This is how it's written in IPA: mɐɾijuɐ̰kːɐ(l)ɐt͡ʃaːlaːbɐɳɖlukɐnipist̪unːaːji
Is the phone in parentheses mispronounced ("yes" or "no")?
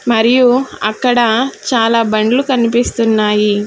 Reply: yes